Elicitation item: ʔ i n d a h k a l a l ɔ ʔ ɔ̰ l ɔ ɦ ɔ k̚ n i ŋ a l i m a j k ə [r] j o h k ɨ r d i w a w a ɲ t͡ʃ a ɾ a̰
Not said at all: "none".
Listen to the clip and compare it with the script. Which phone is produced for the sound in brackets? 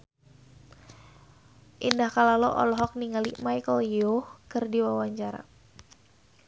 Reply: l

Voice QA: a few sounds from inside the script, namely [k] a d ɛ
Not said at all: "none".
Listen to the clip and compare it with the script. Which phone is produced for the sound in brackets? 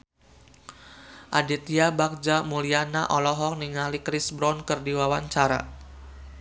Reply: ʔ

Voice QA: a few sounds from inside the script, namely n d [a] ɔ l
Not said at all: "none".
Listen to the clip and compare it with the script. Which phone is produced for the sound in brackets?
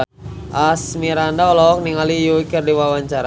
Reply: a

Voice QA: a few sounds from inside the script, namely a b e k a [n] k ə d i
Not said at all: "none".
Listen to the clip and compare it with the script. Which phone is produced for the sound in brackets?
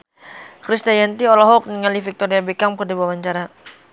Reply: m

